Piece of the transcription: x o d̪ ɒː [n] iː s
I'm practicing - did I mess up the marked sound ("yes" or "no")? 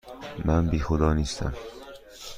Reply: no